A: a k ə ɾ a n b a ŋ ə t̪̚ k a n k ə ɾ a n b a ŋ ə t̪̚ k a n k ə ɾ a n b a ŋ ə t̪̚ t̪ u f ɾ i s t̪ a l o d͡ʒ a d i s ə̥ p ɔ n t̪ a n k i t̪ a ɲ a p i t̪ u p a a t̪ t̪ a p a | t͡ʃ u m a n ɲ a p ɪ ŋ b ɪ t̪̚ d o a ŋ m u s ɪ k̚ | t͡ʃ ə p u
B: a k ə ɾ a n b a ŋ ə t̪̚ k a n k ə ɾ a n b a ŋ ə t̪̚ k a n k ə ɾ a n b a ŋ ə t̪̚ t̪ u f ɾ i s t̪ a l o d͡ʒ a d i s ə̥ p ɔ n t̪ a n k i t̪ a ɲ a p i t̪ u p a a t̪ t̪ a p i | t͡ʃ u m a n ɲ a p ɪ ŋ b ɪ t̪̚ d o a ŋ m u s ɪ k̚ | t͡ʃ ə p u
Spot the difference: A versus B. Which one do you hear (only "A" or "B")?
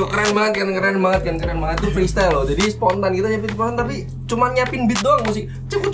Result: B